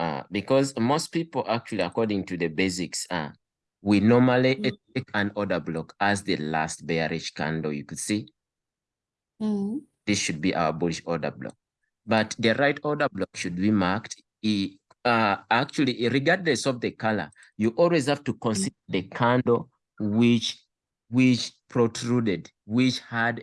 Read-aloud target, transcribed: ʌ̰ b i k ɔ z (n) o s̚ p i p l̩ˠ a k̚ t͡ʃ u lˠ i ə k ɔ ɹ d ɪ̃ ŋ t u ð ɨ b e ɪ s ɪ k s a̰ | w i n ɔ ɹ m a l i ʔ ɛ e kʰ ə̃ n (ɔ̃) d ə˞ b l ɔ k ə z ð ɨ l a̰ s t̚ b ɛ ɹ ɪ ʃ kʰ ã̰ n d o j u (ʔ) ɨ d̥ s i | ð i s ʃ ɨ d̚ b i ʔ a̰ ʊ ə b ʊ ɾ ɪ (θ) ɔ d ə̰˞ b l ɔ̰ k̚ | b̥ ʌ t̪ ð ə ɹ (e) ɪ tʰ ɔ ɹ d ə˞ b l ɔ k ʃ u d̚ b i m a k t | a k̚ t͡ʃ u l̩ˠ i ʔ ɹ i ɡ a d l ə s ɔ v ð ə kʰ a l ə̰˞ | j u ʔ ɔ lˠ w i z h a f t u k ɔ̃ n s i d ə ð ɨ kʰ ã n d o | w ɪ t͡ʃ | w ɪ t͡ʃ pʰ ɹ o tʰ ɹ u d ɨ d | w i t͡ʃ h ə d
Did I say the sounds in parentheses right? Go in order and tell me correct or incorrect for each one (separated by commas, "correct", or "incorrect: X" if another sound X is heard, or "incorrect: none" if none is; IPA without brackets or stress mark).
incorrect: m, incorrect: ɔ, incorrect: k, incorrect: ʃ, incorrect: a